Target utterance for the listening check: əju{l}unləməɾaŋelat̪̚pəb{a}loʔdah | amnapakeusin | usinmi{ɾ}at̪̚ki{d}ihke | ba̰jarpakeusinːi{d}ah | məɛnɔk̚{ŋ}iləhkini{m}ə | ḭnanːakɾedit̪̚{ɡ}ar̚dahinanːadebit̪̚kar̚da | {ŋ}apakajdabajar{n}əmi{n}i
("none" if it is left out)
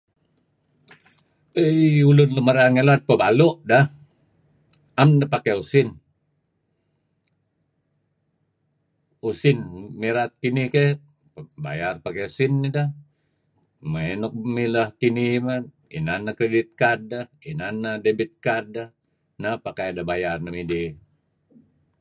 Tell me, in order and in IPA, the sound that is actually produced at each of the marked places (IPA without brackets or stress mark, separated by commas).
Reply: l, a, ɾ, n, d, m, m, k, n, n, d